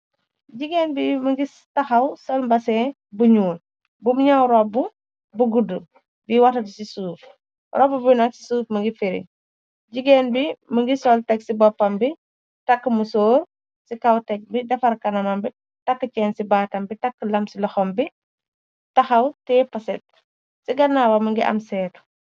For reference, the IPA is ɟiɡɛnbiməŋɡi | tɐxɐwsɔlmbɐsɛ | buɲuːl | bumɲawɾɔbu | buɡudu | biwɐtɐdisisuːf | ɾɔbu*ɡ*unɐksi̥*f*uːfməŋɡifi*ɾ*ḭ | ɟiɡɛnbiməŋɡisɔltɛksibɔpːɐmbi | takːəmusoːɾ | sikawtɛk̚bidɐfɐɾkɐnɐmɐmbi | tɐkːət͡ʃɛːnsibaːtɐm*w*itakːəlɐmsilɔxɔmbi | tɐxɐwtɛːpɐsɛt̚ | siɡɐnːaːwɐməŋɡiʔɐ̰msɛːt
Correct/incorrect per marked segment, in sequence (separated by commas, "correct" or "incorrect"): incorrect, incorrect, correct, incorrect